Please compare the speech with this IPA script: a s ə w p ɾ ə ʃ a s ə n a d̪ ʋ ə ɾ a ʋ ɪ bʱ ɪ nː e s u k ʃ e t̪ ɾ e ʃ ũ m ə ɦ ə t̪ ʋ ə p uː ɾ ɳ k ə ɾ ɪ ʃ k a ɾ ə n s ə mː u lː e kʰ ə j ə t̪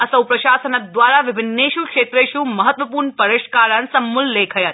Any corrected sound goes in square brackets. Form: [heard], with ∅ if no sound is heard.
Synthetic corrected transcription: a s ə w p ɾ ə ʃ a s ə n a d̪ ʋ [a] ɾ a ʋ ɪ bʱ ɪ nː e [ʃ] u k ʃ e t̪ ɾ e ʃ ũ m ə ɦ ə t̪ ʋ ə p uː ɾ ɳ [p] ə ɾ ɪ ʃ k a ɾ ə n s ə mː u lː e kʰ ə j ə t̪